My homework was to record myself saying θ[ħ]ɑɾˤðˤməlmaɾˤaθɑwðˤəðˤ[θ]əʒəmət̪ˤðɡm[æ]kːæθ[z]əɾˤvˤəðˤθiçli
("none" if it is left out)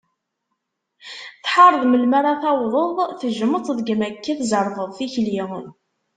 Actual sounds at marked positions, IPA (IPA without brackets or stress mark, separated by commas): ħ, θ, æ, z